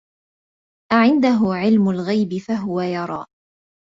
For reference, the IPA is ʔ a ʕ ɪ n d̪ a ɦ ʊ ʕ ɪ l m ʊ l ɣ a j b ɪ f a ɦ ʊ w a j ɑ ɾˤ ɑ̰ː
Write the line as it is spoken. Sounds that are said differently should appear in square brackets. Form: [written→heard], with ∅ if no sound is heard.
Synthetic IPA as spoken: ʔ a ʕ ɪ n d̪ a ɦ ʊ ʕ ɪ l m ʊ l ɣ a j b ɪ f a ɦ ʊ w a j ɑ ɾˤ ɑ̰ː